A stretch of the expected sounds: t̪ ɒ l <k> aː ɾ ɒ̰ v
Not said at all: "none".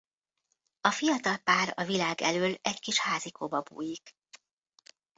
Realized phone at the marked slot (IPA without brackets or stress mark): p